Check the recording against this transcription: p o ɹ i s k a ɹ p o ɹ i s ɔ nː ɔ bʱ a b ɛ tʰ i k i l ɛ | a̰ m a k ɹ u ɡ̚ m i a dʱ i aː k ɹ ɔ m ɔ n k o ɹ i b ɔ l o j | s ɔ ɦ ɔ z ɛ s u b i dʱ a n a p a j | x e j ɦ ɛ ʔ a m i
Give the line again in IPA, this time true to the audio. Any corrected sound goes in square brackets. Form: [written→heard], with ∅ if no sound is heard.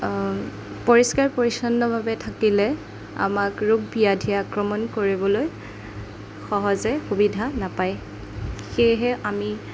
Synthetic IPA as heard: p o ɹ i s k a ɹ p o ɹ i s ɔ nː ɔ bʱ a b ɛ tʰ [i→a] k i l ɛ | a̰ m a k ɹ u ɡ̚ [m→b] i a dʱ i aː k ɹ ɔ m ɔ n k o ɹ i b ɔ l o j | [s→x] ɔ ɦ ɔ z ɛ [s→x] u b i dʱ a n a p a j | x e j ɦ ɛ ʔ a m i